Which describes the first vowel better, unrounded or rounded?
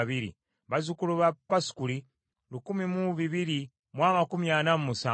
unrounded